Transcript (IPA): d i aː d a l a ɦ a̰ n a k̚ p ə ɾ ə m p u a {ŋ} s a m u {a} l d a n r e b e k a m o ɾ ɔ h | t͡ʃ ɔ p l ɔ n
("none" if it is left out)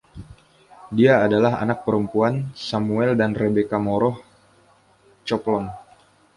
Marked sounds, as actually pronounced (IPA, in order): n, ɛ

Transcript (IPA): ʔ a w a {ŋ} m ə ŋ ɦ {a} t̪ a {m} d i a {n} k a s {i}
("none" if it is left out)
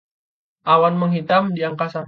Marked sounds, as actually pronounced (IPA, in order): n, i, m, ŋ, a

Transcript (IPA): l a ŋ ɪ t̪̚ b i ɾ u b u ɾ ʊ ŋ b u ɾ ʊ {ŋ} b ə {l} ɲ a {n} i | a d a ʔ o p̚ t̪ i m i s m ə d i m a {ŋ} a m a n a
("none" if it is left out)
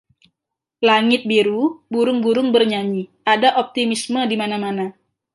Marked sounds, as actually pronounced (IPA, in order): ŋ, r, ɲ, n

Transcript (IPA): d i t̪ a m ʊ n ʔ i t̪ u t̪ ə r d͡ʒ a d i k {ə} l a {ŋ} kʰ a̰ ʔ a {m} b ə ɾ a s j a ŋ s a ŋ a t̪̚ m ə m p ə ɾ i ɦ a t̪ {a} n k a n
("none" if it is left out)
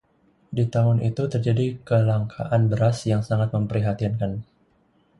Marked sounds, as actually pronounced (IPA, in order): ə, ŋ, n, i

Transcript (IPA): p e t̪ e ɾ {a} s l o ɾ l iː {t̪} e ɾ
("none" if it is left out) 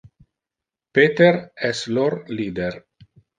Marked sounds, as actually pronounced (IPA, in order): ɛ, d̪

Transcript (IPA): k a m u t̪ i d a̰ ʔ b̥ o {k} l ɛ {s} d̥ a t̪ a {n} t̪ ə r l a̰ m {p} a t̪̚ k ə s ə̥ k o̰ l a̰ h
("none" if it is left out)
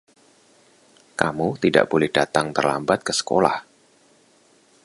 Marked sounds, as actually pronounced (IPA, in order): none, h, ŋ, b

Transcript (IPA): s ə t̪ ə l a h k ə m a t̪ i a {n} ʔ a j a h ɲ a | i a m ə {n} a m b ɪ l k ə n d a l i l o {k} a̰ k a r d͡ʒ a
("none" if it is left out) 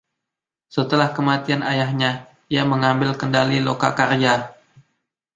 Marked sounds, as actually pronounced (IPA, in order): n, ŋ, k

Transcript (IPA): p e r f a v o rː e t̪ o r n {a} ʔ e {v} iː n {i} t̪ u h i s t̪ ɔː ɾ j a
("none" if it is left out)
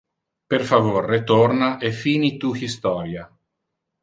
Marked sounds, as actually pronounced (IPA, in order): a, f, i

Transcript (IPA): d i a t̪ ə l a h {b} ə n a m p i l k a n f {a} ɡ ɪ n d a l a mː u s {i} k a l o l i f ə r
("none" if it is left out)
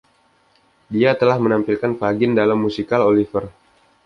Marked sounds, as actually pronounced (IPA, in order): m, a, i

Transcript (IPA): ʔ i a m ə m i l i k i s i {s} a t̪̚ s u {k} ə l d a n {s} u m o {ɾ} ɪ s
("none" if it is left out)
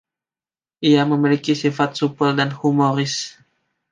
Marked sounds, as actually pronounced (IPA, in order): f, p, h, ɾ

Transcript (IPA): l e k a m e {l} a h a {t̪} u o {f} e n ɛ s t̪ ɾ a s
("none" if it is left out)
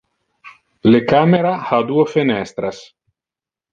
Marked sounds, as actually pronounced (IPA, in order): ɾ, d̪, f

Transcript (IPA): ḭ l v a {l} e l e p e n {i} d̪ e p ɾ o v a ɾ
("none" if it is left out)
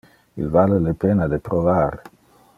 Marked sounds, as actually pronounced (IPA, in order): l, a

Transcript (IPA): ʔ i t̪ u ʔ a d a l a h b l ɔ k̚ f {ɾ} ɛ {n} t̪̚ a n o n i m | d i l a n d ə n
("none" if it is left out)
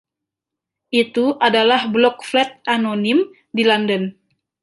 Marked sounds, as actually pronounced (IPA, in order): l, none

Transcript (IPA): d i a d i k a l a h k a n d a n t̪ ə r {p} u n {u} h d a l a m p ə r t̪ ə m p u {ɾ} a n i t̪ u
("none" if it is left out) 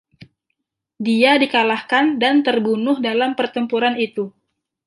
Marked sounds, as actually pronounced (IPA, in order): b, ʊ, ɾ

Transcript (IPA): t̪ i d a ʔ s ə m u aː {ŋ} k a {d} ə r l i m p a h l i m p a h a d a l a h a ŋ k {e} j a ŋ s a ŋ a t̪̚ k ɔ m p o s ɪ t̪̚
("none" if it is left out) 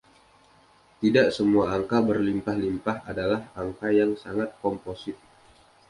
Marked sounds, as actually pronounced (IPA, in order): ŋ, b, a

